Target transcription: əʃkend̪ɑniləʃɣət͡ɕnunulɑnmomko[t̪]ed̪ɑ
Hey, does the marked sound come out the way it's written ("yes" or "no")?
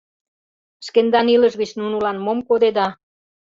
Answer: no